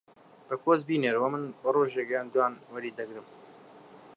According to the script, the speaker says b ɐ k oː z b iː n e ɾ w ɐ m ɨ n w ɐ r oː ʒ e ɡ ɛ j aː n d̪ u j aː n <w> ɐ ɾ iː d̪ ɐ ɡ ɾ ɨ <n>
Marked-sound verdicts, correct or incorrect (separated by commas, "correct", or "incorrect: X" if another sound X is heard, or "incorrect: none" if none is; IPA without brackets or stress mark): correct, incorrect: m